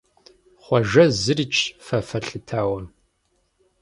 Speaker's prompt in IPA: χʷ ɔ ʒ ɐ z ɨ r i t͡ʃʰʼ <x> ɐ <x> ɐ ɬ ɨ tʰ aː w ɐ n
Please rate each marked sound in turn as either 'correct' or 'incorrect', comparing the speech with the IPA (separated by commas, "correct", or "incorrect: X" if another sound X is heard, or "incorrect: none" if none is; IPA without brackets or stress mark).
incorrect: f, incorrect: f